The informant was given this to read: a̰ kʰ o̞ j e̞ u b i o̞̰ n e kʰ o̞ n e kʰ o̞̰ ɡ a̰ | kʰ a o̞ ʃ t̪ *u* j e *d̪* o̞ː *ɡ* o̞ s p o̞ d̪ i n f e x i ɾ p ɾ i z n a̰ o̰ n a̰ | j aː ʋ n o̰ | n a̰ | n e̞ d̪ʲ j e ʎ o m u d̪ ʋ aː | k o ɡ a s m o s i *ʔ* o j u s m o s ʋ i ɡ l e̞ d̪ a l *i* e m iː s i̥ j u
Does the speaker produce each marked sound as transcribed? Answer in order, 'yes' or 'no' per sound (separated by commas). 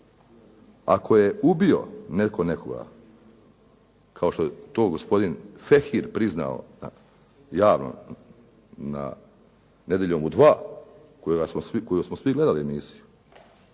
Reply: no, no, yes, no, yes